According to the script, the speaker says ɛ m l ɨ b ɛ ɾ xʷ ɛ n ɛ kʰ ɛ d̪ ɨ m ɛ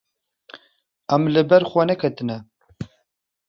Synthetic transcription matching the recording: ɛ m l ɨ b ɛ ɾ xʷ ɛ n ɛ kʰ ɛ t̪ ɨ n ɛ